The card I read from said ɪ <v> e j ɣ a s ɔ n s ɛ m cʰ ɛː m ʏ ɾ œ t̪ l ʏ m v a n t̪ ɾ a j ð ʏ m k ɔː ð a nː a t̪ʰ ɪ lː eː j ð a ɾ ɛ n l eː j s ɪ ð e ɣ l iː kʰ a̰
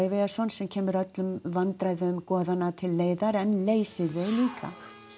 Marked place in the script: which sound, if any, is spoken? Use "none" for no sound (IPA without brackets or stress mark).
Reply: v